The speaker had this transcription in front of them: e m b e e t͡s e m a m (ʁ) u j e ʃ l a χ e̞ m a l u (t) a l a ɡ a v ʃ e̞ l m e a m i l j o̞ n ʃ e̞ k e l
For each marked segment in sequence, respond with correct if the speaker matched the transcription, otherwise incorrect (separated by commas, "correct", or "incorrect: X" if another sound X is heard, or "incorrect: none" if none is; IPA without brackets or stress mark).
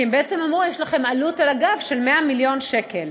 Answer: correct, correct